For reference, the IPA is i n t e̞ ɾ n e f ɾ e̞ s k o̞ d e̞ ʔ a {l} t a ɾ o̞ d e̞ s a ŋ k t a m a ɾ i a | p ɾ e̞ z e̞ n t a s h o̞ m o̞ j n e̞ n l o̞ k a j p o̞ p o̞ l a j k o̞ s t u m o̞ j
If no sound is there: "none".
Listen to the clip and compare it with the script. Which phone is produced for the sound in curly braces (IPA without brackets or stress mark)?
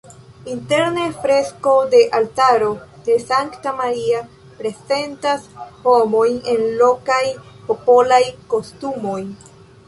l